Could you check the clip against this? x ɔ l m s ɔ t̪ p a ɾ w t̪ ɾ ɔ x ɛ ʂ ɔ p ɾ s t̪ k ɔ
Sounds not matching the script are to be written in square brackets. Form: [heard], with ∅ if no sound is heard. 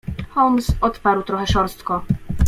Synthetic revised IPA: x ɔ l m s ɔ t̪ p a ɾ w t̪ ɾ ɔ x ɛ ʂ ɔ [∅] ɾ s t̪ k ɔ